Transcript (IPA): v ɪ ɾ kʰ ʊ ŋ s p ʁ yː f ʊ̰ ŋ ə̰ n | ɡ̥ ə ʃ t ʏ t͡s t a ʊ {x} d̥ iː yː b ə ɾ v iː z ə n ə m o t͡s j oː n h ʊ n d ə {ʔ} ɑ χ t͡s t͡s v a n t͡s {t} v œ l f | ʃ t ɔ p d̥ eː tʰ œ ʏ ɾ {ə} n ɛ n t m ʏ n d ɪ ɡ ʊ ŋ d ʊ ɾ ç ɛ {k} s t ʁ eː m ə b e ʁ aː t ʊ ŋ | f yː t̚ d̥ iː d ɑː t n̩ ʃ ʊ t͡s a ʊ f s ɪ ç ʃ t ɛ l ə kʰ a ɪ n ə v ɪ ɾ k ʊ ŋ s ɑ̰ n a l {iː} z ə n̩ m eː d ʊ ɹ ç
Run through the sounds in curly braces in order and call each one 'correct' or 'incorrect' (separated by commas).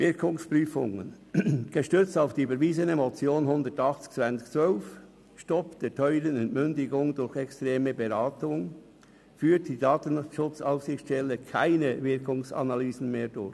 incorrect, incorrect, incorrect, correct, correct, incorrect